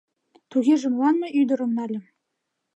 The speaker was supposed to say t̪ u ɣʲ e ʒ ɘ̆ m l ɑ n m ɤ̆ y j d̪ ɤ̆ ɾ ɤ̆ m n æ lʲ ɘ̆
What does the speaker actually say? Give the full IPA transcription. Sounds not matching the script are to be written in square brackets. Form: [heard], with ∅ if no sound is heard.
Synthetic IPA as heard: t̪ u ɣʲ e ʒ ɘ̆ m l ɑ n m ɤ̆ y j d̪ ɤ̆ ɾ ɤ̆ m n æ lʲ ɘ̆